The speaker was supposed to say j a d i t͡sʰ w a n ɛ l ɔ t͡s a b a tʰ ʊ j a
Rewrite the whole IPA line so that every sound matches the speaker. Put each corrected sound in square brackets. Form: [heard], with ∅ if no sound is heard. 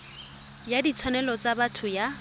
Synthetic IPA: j a d i t͡sʰ w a n ɛ l ɔ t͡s a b a tʰ ʊ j a